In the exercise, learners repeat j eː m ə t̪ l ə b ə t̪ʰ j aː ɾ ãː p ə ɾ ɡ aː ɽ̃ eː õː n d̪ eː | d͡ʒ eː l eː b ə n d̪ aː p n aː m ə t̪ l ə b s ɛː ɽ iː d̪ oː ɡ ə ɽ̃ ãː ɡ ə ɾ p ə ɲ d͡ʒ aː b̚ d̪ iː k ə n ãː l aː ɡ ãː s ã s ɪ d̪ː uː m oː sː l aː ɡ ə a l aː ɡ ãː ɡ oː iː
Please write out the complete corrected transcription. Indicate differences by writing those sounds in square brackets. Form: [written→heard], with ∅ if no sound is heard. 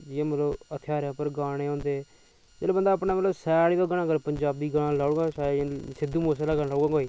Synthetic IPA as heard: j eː m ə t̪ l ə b ə t̪ʰ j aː ɾ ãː p ə ɾ ɡ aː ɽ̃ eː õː n d̪ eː | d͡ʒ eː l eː b ə n d̪ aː p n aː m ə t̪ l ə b s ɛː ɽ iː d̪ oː ɡ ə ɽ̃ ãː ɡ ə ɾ p ə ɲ d͡ʒ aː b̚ d̪ iː [k→ɡ] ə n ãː l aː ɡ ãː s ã s ɪ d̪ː uː m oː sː l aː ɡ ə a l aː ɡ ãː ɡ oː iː